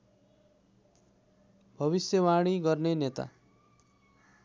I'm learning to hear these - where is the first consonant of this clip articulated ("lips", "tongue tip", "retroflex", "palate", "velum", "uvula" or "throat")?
lips